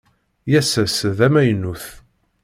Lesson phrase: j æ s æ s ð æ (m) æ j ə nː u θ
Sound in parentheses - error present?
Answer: no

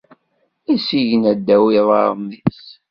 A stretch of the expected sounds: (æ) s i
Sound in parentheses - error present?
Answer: yes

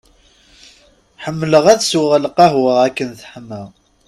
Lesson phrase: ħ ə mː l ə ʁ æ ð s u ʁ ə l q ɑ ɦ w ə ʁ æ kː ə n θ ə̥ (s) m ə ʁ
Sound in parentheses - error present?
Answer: yes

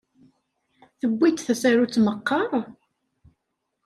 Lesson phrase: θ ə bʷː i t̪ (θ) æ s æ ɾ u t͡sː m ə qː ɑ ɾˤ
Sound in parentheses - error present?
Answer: no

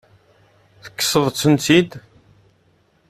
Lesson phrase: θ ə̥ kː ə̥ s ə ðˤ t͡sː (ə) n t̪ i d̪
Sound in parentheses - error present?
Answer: no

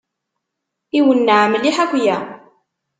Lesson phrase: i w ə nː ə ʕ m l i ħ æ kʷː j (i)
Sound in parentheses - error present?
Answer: yes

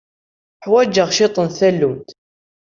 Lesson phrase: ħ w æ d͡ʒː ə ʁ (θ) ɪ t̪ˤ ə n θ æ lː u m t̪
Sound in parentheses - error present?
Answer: yes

